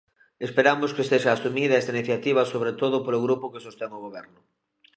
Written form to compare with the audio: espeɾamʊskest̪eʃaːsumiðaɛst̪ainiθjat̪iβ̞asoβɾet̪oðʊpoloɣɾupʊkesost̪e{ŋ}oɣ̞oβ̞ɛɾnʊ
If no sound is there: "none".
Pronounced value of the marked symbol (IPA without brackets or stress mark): ŋ